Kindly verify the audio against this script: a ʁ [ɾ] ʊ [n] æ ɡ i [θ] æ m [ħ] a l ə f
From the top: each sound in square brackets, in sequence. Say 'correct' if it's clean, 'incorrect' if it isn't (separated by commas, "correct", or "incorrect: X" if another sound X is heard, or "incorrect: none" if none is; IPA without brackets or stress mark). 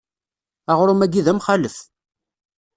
correct, incorrect: m, incorrect: ð, incorrect: χ